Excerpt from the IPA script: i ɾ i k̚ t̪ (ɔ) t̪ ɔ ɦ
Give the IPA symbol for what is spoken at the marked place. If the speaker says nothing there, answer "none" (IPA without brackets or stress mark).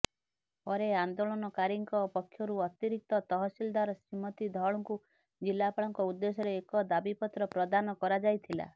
ɔ